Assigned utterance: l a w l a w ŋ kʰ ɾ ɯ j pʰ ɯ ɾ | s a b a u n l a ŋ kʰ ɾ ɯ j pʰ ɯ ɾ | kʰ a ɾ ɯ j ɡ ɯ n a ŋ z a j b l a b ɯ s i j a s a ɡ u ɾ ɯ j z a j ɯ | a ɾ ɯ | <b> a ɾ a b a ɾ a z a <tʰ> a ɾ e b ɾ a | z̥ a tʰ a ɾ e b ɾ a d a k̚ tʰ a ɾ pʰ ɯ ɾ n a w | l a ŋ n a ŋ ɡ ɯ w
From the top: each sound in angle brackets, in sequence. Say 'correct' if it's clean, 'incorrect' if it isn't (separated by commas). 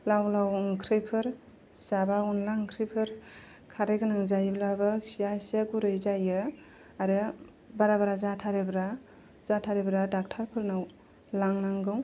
correct, correct